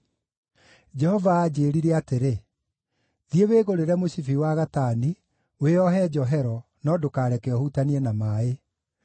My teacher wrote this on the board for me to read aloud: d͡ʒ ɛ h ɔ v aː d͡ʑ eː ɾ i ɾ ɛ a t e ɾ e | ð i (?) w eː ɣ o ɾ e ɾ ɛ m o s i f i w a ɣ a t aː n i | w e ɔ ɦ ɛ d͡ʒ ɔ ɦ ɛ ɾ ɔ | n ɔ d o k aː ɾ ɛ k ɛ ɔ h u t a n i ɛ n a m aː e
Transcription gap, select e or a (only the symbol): e